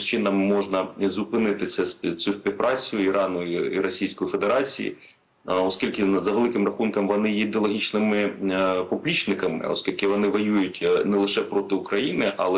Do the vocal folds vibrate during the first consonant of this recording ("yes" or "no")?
no